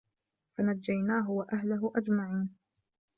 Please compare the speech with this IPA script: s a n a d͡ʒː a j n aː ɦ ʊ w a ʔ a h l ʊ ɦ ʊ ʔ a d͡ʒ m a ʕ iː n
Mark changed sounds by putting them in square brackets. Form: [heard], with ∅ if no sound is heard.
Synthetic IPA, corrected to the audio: [f] a n a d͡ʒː a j n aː ɦ ʊ w a ʔ a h l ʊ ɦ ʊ ʔ a d͡ʒ m a ʕ iː n